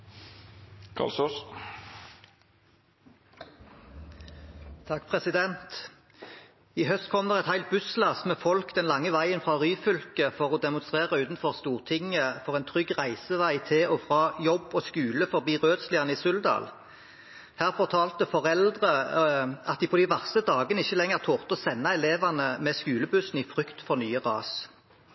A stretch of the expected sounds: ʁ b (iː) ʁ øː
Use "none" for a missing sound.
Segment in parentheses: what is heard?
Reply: iː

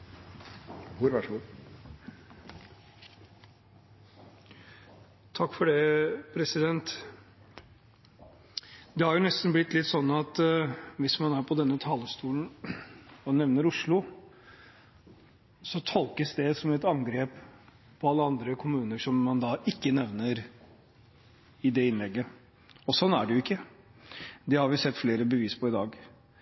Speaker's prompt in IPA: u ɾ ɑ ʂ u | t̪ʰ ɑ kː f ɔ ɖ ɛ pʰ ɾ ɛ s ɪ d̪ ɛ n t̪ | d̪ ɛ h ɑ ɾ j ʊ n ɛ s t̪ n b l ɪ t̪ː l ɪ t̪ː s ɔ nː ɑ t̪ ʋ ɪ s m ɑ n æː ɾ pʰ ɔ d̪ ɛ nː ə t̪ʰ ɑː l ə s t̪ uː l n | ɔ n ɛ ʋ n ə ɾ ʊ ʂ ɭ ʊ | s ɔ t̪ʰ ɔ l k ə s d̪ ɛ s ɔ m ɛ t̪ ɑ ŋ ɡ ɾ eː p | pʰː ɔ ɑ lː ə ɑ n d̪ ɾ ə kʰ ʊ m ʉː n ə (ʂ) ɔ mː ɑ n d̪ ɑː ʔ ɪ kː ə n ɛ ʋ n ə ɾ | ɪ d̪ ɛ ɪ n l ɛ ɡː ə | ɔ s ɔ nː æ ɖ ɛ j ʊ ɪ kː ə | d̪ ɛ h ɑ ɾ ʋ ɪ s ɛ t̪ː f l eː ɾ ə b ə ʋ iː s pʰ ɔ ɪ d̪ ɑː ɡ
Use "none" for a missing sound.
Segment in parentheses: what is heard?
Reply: ʂ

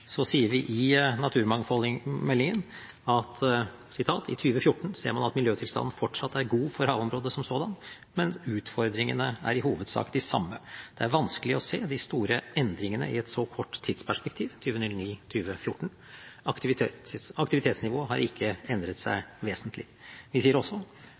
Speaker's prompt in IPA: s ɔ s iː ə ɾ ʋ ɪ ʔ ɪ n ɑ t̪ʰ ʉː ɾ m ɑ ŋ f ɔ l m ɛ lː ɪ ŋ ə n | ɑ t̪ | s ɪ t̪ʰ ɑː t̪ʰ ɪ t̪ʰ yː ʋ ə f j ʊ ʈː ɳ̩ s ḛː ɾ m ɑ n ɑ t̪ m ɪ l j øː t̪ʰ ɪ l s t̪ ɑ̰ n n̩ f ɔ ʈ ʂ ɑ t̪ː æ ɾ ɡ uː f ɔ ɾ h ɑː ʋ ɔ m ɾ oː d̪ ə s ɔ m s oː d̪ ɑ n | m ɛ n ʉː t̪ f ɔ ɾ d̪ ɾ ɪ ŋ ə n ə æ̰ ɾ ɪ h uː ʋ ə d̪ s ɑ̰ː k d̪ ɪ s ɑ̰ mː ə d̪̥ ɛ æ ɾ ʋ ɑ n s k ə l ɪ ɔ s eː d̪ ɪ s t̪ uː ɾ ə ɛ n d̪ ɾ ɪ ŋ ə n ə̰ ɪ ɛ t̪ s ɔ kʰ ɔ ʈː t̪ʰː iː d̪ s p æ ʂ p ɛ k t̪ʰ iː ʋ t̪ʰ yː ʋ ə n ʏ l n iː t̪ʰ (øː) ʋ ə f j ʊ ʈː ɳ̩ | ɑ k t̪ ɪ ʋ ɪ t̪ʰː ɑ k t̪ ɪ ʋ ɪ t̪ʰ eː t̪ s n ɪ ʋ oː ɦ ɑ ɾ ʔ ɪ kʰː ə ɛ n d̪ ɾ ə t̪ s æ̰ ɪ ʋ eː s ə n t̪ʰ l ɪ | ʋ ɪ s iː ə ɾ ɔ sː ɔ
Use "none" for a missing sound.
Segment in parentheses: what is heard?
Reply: yː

